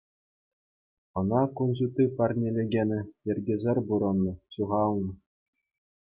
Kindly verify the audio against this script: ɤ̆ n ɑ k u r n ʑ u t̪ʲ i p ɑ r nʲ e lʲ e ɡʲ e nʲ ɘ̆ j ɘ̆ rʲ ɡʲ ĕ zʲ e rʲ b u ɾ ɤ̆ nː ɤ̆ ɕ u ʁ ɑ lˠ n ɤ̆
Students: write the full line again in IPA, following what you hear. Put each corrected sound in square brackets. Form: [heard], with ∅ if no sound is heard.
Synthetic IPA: ɤ̆ n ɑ k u [∅] n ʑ u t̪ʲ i p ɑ r nʲ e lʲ e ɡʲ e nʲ ɘ̆ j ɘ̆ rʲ ɡʲ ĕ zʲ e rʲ b u ɾ ɤ̆ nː ɤ̆ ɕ u ʁ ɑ lˠ n ɤ̆